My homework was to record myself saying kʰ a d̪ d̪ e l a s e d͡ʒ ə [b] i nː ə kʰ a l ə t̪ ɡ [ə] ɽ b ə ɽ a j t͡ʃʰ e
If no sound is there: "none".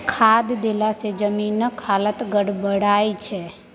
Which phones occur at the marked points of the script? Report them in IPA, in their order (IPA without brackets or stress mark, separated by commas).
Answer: m, ə